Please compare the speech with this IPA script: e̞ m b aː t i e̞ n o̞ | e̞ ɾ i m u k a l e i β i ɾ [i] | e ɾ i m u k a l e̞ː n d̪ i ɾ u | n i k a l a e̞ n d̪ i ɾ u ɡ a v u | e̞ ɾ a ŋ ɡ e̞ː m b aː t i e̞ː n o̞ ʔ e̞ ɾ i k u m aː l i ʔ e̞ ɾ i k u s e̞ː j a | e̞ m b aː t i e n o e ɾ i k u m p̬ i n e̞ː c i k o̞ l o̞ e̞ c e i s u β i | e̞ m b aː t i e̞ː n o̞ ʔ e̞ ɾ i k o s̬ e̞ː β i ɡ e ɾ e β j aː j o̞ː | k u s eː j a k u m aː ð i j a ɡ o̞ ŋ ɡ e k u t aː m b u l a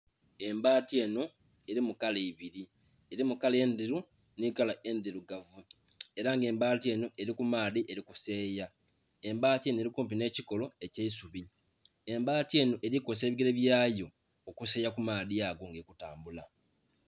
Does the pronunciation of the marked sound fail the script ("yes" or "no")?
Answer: no